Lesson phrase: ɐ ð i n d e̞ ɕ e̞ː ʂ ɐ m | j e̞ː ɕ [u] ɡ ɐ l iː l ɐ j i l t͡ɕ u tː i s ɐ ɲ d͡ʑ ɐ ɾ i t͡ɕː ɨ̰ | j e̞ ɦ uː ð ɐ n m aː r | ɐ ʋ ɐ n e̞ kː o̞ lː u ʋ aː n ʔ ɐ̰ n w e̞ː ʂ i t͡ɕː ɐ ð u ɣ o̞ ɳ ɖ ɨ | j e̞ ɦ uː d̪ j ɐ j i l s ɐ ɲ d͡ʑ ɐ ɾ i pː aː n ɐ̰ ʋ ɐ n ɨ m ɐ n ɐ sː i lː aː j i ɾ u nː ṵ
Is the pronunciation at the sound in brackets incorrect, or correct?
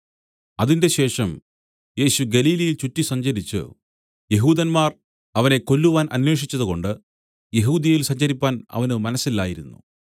correct